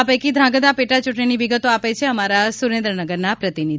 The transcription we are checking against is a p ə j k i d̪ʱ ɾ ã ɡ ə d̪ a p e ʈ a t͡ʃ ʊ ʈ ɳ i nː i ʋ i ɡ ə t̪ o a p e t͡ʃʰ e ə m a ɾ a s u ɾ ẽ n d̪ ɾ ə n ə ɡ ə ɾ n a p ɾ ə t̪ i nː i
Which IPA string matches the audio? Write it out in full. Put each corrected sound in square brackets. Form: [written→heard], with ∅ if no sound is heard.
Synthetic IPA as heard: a p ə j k i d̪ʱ ɾ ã ɡ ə d̪ a p e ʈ a t͡ʃ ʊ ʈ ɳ i [nː→n] i ʋ i ɡ ə t̪ o a p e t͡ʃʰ e ə m a ɾ a s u ɾ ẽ n d̪ ɾ ə n ə ɡ ə ɾ n a p ɾ ə t̪ i [nː→n] i

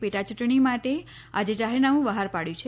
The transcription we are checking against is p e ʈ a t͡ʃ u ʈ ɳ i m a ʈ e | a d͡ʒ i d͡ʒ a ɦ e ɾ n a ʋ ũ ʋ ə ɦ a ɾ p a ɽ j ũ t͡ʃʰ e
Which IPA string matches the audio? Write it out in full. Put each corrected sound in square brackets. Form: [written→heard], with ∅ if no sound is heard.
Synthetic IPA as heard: p e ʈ a t͡ʃ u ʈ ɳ i m a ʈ e | a d͡ʒ [i→e] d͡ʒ a ɦ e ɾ n a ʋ ũ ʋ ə ɦ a ɾ p a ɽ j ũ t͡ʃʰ e

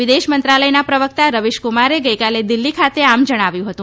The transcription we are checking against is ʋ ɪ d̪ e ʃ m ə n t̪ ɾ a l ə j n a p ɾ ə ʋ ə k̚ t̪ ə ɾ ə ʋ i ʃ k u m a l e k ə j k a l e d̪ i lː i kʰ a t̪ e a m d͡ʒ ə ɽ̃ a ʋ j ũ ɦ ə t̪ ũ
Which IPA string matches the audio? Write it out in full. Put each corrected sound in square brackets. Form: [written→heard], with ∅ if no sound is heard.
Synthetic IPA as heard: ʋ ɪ d̪ e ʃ m ə n t̪ ɾ a l ə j n a p ɾ ə ʋ ə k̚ t̪ [ə→a] ɾ ə ʋ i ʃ k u m a [l→ɾ] e [k→ɡ] ə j k a l e d̪ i lː i kʰ a t̪ e a m d͡ʒ ə ɽ̃ a ʋ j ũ ɦ ə t̪ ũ

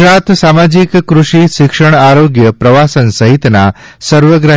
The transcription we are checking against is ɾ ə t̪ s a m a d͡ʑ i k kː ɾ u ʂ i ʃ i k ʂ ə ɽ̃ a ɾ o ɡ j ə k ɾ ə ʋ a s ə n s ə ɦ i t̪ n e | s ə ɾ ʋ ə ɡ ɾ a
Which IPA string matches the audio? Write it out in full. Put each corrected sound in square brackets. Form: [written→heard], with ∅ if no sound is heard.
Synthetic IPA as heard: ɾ [ə→a] t̪ s a m a d͡ʑ i k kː ɾ u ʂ i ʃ i k ʂ ə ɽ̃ a ɾ o ɡ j ə [k→p] ɾ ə ʋ a s ə n s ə ɦ i t̪ n [e→a] | s ə ɾ ʋ ə ɡ ɾ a

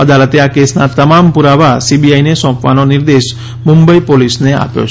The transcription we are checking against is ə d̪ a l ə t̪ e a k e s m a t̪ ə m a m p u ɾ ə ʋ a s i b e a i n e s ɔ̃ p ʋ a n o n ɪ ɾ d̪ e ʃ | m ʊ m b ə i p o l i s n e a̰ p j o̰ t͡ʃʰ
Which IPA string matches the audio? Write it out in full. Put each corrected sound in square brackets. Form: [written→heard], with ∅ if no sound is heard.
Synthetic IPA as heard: ə d̪ a l ə t̪ e a k e s [m→n] a t̪ ə m a m p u ɾ [ə→a] ʋ a s i b [e→i] a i n e s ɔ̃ p ʋ a n o n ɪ ɾ d̪ e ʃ | m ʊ m b ə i p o l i s n e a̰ p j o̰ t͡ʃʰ

